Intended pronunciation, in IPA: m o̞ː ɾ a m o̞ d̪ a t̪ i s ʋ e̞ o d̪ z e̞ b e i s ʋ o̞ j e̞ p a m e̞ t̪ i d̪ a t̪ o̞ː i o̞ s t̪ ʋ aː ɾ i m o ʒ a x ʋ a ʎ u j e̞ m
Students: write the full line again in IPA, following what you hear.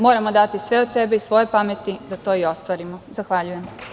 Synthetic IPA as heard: m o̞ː ɾ a m o̞ d̪ a t̪ i s ʋ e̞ o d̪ s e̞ b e i s ʋ o̞ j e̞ p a m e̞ t̪ i d̪ a t̪ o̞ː i o̞ s t̪ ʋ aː ɾ i m o z a x ʋ a ʎ u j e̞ m